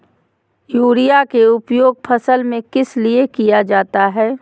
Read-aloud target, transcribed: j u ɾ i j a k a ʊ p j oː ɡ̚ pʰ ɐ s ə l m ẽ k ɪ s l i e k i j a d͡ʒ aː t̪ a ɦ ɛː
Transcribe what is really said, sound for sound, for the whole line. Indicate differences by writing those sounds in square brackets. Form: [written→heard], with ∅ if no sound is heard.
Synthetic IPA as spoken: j [u→uː] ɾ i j a k [a→e] ʊ p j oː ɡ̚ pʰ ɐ s ə l m ẽ k ɪ s l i e k i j a d͡ʒ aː t̪ a ɦ ɛː